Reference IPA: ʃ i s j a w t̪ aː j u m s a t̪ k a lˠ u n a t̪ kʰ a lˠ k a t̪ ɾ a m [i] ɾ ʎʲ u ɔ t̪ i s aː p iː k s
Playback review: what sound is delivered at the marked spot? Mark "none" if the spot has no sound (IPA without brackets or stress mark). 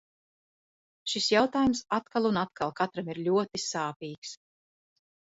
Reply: i